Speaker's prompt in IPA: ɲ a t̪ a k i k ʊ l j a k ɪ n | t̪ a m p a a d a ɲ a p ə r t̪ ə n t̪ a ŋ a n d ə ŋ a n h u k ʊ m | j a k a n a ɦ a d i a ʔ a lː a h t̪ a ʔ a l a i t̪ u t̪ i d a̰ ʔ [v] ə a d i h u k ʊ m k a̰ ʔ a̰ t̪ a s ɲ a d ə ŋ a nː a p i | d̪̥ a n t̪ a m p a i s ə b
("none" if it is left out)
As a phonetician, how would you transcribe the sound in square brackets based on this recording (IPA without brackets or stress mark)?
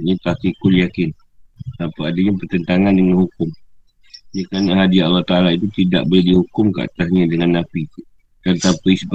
b